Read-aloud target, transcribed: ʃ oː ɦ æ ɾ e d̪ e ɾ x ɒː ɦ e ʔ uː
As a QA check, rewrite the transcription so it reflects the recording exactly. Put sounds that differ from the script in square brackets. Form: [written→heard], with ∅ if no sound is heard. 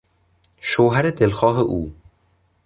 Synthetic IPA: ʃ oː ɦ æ ɾ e d̪ e [ɾ→l] x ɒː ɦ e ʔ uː